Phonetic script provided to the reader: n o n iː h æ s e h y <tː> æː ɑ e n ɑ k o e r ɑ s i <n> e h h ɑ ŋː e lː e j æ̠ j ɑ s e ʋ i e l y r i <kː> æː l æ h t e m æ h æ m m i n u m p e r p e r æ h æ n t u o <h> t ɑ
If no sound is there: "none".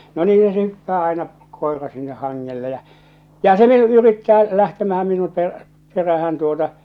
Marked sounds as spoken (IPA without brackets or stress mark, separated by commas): pː, nː, tː, none